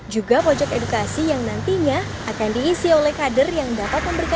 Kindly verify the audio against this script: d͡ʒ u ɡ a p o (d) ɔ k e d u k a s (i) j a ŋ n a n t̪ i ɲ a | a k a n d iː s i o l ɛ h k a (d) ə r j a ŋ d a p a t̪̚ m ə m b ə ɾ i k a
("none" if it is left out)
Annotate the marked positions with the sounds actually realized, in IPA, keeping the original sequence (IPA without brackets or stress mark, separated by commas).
d͡ʒ, i, d